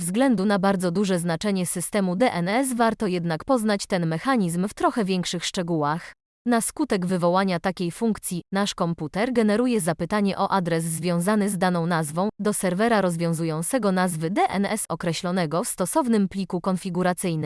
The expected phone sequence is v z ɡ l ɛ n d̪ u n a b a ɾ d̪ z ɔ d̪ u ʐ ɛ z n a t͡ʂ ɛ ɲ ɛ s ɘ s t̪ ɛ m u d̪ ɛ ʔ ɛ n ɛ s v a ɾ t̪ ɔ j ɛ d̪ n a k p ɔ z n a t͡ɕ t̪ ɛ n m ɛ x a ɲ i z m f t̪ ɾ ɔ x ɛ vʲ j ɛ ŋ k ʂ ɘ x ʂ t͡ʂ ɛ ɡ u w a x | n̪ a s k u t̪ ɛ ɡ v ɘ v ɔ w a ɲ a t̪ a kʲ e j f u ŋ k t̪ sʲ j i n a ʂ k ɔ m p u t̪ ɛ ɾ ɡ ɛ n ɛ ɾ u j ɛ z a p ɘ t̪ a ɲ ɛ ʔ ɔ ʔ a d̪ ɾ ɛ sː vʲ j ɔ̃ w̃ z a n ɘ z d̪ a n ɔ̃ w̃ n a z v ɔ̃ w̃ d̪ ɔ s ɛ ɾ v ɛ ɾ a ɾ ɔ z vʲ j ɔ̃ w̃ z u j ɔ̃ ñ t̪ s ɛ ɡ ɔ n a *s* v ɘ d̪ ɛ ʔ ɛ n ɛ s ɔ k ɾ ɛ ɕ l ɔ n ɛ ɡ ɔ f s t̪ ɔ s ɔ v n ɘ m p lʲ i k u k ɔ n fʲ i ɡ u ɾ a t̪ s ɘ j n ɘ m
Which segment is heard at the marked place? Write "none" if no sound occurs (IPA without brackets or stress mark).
z